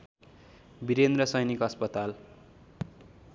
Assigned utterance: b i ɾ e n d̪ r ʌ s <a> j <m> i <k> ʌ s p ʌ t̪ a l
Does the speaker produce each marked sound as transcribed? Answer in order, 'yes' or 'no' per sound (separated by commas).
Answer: no, no, yes